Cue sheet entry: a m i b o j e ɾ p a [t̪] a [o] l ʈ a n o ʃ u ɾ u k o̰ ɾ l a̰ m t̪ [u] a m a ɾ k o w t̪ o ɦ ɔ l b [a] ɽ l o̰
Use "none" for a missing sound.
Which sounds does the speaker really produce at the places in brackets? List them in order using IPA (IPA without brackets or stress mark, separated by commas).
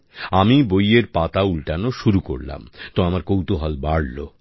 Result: t̪, u, o, a